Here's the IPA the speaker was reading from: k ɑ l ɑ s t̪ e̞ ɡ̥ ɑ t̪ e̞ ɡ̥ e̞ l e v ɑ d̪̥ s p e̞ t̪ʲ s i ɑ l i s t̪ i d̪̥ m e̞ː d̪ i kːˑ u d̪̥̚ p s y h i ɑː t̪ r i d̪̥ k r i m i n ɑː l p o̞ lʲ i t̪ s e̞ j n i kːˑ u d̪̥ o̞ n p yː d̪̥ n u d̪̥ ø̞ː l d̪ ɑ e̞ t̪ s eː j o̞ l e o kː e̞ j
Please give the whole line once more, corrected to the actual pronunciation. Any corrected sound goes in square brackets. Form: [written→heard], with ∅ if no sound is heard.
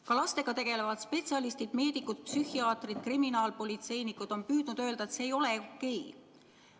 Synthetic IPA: k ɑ l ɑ s t̪ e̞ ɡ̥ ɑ t̪ e̞ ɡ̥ e̞ l e v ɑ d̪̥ s p e̞ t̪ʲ s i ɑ l i s t̪ i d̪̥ m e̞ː d̪ i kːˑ u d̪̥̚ p s y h i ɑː t̪ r i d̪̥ k r i m i n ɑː l p o̞ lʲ i t̪ s e̞ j n i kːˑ u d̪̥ o̞ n p yː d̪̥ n u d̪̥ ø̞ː l d̪ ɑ e̞ t̪ s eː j o̞ l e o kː e̞ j